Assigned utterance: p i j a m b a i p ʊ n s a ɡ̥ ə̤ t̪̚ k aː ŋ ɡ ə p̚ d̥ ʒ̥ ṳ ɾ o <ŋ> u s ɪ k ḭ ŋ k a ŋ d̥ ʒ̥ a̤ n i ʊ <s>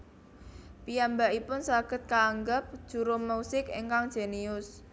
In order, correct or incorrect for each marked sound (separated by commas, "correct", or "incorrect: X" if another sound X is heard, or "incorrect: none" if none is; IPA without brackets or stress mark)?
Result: incorrect: m, correct